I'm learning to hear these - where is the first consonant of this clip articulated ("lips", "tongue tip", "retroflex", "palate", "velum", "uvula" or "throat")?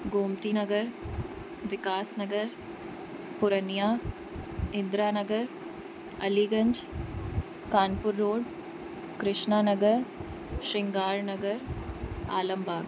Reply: velum